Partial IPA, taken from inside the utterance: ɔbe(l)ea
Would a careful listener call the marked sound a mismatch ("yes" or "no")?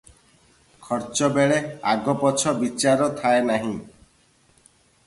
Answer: yes